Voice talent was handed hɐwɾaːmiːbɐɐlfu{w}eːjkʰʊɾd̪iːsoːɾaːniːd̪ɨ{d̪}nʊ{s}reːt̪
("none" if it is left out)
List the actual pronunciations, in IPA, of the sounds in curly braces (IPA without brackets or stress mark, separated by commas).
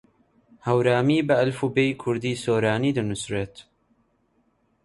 b, none, s